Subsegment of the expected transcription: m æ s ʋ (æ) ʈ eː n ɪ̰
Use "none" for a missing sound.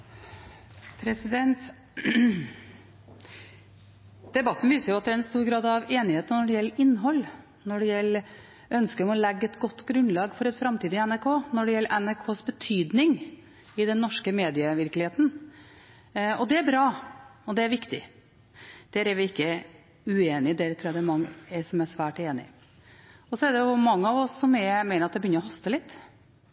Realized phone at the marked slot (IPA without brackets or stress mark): æː